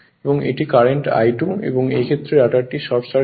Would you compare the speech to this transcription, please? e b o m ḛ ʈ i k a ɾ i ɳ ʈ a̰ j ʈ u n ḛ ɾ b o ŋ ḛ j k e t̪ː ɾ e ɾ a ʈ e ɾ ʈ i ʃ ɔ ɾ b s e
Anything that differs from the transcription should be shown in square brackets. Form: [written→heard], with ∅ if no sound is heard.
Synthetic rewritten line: e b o [m→ŋ] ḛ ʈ i k a ɾ [i→e] ɳ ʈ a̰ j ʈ u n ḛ [ɾ→∅] b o ŋ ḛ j [k→kʰ] e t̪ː ɾ e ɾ a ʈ [e→a] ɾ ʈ i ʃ ɔ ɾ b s [e→a]

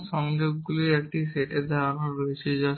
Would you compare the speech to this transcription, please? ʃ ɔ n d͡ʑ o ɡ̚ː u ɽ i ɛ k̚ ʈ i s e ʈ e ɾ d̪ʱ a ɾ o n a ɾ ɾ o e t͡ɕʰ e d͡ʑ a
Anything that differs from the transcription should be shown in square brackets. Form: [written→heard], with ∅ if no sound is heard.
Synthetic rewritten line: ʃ ɔ [n→ŋ] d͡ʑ o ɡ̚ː u [ɽ→l] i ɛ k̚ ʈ i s e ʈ e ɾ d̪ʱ a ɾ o n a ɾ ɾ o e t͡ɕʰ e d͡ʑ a

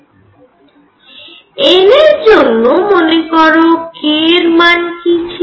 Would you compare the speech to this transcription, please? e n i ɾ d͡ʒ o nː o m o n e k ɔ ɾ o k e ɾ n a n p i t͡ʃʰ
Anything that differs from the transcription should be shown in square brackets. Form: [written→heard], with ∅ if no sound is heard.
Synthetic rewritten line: e n [i→e] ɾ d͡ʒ o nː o m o n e k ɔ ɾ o k e ɾ [n→m] a n [p→k] i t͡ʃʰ

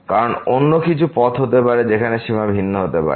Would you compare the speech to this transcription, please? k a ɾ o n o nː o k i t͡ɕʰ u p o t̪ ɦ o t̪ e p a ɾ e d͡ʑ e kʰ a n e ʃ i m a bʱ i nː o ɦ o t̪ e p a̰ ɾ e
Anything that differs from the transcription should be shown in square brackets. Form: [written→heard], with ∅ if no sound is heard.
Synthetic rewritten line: k a ɾ o n o nː o k i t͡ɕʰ u p [o→ɔ] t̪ ɦ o t̪ e p a ɾ e d͡ʑ e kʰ a n e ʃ i m a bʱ i nː o ɦ o t̪ e p a̰ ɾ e

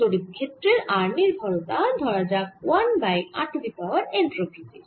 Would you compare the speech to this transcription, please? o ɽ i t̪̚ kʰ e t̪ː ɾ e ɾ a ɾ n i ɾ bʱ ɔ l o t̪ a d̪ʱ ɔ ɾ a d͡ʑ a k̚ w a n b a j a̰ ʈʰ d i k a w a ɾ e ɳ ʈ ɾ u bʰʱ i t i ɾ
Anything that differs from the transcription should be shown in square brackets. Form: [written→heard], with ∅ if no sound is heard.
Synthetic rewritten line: o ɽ i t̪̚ kʰ e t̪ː ɾ e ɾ a ɾ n i ɾ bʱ ɔ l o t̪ a d̪ʱ ɔ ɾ a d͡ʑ a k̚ w a n b a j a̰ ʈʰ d i [k→p] a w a ɾ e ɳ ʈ ɾ [u→o] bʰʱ i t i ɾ

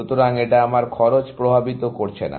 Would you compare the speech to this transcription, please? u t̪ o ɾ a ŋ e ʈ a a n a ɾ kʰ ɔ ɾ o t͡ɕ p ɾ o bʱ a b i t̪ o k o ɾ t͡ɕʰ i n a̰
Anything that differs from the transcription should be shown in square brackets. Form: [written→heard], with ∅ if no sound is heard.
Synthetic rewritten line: u t̪ o ɾ a ŋ e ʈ a a [n→m] a ɾ kʰ ɔ ɾ o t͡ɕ p ɾ o bʱ a b i t̪ o k o ɾ t͡ɕʰ [i→e] n a̰

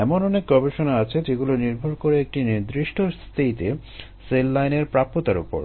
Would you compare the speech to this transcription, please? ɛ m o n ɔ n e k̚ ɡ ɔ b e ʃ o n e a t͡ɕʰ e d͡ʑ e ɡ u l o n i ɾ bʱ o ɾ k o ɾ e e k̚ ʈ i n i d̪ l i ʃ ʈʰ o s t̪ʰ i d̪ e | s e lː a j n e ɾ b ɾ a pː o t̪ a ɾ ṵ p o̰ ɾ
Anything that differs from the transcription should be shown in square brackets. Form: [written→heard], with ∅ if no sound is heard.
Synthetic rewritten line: ɛ m o n ɔ n e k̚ ɡ ɔ b e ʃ o n [e→a] a t͡ɕʰ e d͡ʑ e ɡ u l o n i ɾ bʱ o ɾ k o ɾ e e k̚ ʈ i n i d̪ [l→ɾ] i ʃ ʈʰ o s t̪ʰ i [d̪→t̪] e | s e lː a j n e ɾ [b→p] ɾ a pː o t̪ a ɾ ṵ p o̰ ɾ

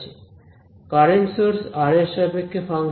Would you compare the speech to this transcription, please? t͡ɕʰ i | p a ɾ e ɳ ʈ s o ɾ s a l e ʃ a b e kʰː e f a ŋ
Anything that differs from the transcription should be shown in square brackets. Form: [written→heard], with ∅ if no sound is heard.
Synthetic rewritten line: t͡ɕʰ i | [p→k] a ɾ e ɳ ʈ s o ɾ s a [l→ɾ] e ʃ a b e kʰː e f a ŋ

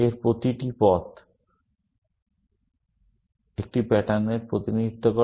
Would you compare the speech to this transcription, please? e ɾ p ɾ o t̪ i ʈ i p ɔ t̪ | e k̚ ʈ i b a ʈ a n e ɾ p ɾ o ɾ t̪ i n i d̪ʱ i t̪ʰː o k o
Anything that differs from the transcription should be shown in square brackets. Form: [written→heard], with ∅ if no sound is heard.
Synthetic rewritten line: e ɾ p ɾ o t̪ i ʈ i p ɔ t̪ | e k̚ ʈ i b [a→ɛ] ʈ a n e ɾ p ɾ o [ɾ→∅] t̪ i n i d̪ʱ i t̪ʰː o k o

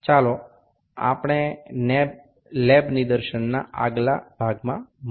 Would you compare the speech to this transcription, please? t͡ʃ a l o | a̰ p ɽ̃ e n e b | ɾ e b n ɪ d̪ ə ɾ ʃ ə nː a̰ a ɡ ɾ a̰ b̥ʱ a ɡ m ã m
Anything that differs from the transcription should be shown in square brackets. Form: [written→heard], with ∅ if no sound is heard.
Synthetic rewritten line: t͡ʃ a l o | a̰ p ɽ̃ e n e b | [ɾ→l] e b n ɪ d̪ ə ɾ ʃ ə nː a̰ a ɡ [ɾ→l] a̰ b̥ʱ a ɡ m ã m

